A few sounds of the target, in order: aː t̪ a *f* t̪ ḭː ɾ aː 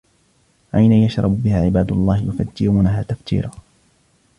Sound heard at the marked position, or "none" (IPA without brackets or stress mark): f